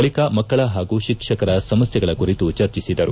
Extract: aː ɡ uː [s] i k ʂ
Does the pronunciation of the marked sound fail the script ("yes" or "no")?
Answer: yes